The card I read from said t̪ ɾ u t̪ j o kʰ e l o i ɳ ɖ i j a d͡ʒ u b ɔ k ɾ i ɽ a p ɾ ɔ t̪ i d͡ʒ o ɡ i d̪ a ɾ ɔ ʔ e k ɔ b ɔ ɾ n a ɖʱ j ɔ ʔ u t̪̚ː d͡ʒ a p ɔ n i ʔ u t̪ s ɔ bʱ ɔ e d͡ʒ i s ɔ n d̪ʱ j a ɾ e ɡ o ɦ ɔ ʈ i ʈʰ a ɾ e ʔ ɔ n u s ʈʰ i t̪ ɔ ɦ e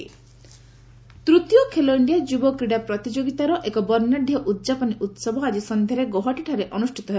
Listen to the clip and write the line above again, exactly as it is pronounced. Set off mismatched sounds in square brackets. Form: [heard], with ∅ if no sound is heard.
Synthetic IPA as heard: t̪ ɾ u t̪ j o kʰ e l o i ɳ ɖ i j a d͡ʒ u b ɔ k ɾ i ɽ a p ɾ ɔ t̪ i d͡ʒ o ɡ i [t̪] a ɾ ɔ ʔ e k ɔ b ɔ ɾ n a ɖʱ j ɔ ʔ u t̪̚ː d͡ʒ a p ɔ n i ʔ u t̪ s ɔ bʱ ɔ [a] d͡ʒ i s ɔ n d̪ʱ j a ɾ e ɡ o ɦ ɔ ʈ i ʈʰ a ɾ e ʔ ɔ n u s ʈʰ i t̪ ɔ ɦ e